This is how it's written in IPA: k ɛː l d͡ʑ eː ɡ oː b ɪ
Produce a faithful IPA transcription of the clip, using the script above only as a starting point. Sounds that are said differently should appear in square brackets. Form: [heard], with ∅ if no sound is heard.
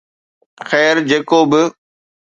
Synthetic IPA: [x] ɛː [ɾ] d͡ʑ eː [k] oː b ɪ